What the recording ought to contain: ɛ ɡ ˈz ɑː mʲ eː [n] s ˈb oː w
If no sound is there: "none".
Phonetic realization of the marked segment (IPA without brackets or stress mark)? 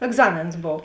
n